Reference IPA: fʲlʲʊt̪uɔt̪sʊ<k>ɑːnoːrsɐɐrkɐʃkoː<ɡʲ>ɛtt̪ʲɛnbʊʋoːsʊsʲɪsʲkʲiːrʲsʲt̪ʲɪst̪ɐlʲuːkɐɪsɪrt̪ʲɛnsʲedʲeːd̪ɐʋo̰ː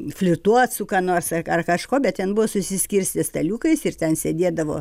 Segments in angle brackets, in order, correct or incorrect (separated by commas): correct, incorrect